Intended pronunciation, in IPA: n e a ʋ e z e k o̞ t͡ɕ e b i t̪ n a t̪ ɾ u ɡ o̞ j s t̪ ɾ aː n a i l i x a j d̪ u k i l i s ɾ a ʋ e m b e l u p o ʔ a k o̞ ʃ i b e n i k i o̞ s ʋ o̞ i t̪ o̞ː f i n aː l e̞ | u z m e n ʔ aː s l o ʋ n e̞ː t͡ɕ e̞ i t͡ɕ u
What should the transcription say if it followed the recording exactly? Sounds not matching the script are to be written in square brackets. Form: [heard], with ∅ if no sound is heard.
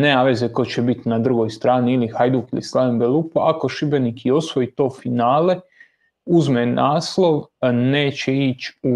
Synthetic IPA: n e a ʋ e z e k o̞ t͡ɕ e b i t̪ n a [d̪] ɾ u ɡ o̞ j s t̪ ɾ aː n [i] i l i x a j d̪ u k i l i s [l] a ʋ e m b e l u p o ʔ a k o̞ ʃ i b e n i k i o̞ s ʋ o̞ i t̪ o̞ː f i n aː l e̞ | u z m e n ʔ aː s l o ʋ n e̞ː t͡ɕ e̞ i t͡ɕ u